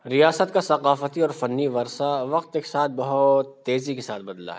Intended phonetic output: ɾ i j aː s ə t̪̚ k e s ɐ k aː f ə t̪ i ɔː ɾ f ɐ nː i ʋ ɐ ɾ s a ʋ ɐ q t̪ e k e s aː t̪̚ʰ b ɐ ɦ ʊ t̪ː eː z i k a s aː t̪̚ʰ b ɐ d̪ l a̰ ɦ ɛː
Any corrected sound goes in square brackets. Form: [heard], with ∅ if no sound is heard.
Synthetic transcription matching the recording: ɾ i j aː s ə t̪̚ k [a] s ɐ [q] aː f ə t̪ i ɔː ɾ f ɐ nː i ʋ ɐ ɾ s a ʋ ɐ q t̪ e k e s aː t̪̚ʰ b ɐ ɦ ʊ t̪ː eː z i k [e] s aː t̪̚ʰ b ɐ d̪ l a̰ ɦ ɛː